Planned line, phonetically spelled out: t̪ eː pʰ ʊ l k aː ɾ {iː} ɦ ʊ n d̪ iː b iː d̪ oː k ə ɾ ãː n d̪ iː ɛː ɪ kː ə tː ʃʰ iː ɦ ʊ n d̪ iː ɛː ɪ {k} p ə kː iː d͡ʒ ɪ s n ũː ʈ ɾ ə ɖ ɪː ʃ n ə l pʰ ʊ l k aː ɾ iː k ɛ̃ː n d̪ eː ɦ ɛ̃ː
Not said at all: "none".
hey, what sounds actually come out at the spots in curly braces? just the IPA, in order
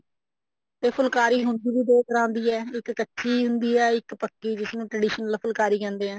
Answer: iː, k

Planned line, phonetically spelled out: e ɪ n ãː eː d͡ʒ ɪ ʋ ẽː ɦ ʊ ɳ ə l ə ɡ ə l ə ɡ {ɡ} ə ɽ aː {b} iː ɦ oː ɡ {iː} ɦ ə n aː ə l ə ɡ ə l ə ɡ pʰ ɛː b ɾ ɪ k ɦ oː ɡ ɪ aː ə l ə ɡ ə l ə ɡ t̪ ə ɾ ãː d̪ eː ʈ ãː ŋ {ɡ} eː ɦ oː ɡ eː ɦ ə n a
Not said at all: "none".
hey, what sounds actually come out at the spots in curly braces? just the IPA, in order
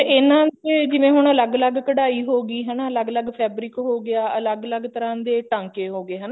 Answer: k, none, iː, k

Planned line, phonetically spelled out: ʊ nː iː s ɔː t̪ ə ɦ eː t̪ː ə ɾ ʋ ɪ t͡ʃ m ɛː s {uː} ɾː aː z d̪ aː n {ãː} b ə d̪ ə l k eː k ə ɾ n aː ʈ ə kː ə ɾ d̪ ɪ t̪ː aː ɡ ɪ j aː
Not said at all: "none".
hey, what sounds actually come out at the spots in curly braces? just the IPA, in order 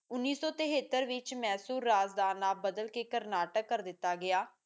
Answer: uː, aː

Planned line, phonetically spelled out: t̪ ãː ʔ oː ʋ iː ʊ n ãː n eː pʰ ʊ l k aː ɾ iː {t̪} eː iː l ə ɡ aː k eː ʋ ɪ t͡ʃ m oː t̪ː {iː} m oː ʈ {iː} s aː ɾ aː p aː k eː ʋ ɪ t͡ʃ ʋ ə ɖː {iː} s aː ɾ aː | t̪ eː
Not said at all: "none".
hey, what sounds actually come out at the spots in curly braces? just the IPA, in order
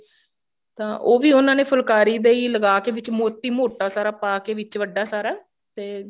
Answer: d̪, iː, aː, aː

